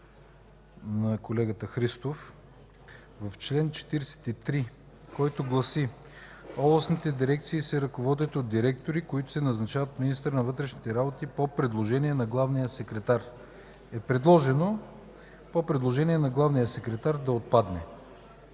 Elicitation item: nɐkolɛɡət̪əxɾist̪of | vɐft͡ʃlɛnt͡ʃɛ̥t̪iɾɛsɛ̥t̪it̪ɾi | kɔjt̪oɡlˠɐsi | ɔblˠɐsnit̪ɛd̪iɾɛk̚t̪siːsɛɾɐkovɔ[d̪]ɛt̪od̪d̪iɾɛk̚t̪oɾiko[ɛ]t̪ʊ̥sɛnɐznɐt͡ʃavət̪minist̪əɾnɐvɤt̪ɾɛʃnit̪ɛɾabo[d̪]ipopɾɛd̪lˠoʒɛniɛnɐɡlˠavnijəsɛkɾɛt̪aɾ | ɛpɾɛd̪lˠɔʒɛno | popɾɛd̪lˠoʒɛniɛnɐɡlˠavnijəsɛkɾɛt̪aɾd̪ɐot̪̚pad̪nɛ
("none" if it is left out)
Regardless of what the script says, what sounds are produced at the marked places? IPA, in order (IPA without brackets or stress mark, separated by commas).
d̪, i, t̪